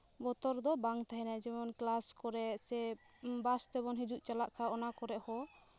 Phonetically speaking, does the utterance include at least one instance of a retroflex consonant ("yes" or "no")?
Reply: no